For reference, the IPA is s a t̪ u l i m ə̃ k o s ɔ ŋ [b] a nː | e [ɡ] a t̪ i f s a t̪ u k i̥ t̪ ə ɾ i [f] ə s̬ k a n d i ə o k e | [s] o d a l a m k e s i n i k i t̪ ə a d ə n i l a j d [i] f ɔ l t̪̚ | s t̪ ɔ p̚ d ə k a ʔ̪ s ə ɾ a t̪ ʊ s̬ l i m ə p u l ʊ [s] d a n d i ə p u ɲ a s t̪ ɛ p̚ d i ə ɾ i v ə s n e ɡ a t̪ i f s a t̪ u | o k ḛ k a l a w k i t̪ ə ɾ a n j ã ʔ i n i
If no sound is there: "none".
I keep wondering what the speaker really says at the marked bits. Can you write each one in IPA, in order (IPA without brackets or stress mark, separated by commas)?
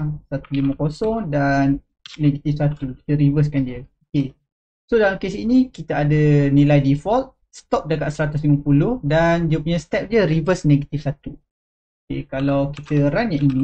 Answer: d, ɡ, v, s, i, h